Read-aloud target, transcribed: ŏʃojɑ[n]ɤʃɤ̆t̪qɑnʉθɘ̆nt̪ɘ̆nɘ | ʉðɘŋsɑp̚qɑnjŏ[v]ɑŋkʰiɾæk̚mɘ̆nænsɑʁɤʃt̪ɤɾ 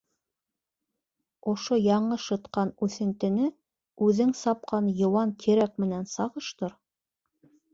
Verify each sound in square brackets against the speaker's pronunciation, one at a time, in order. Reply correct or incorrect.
incorrect: ɴ, incorrect: w

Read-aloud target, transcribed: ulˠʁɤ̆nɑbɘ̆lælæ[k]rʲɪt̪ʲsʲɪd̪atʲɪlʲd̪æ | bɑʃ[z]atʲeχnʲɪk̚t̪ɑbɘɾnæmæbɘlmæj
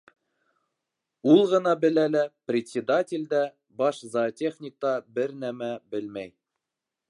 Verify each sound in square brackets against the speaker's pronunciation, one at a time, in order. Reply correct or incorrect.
incorrect: p, correct

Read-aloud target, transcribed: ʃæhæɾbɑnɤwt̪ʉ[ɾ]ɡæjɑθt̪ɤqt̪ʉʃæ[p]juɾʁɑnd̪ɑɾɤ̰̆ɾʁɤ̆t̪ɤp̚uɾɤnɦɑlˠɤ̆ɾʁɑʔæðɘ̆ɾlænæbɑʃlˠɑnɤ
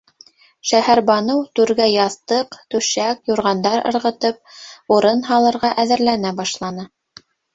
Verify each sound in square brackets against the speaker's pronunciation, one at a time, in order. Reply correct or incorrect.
correct, incorrect: k

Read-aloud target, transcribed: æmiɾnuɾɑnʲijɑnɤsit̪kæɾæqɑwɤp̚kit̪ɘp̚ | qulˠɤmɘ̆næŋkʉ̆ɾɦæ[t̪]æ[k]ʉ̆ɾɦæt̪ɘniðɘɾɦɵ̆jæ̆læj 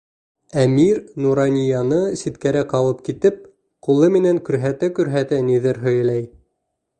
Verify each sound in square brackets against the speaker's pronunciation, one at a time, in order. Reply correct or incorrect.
correct, correct

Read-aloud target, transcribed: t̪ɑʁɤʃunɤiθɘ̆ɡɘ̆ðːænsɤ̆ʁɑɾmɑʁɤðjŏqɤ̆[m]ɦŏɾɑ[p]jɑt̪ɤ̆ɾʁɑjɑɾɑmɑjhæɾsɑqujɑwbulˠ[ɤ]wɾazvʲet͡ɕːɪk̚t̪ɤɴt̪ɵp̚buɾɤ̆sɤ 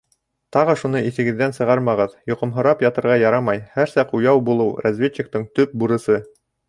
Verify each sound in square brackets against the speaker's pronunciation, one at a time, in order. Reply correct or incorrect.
correct, correct, correct

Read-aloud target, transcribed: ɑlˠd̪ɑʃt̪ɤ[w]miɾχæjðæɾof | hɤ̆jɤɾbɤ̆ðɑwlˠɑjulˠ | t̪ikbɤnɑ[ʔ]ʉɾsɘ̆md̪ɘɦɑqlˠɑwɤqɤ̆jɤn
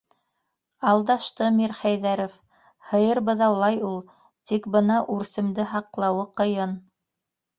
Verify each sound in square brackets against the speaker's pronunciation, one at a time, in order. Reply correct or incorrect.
incorrect: none, correct

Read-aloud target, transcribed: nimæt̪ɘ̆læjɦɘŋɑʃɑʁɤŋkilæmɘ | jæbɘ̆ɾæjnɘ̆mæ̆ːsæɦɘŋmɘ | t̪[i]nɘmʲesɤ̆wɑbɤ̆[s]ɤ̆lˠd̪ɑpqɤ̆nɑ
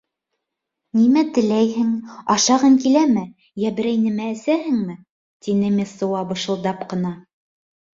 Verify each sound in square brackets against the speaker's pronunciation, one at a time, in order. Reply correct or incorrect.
correct, incorrect: ʃ

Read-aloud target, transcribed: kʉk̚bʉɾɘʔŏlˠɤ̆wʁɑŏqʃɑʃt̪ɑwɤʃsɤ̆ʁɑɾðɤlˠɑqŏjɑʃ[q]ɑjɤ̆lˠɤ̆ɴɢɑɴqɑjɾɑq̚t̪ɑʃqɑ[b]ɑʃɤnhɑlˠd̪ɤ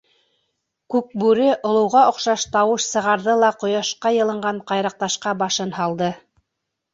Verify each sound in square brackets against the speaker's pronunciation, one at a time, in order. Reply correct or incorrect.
correct, correct

